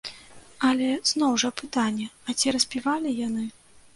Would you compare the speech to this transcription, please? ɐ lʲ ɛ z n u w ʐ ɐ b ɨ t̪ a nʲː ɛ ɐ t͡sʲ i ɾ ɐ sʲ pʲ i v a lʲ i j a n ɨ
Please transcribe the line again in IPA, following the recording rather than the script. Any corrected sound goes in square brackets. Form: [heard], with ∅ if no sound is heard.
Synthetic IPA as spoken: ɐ lʲ ɛ z n [ɔ] w ʐ ɐ [p] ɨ t̪ a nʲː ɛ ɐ t͡sʲ i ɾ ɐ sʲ pʲ i v a lʲ i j a n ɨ